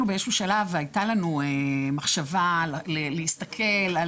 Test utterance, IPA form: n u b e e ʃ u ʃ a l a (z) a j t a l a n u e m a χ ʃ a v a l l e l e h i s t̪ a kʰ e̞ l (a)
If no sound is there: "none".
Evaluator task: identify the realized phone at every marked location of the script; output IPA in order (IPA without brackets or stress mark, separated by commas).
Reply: v, a